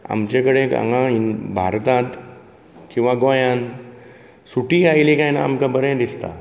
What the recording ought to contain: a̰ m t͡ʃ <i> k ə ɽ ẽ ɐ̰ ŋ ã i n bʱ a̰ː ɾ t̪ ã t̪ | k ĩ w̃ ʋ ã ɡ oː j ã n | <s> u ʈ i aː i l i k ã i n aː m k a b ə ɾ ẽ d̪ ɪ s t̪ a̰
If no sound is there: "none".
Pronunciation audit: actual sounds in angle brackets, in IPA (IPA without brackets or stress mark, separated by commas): e, s